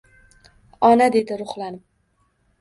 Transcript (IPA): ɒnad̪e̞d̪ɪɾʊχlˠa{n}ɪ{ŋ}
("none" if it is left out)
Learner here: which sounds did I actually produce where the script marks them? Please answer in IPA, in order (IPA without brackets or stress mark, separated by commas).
n, m